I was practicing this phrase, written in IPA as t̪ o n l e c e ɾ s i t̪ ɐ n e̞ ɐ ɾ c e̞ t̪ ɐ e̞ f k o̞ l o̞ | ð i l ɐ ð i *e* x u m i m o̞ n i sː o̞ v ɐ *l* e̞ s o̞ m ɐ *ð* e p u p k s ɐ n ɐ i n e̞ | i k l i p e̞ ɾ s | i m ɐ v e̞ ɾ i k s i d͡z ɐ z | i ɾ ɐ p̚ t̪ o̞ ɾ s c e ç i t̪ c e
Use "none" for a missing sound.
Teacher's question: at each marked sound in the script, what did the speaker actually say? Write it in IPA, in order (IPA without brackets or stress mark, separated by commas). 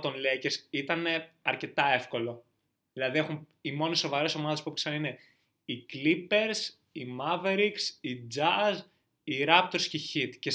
e, ɾ, ð